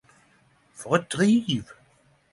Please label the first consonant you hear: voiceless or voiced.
voiceless